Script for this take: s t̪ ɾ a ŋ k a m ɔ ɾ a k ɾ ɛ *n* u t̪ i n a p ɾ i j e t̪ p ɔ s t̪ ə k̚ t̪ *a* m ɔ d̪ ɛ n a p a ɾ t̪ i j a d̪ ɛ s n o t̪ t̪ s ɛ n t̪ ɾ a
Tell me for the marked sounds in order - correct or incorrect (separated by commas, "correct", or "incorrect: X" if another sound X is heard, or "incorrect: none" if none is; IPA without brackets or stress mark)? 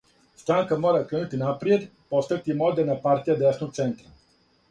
correct, incorrect: i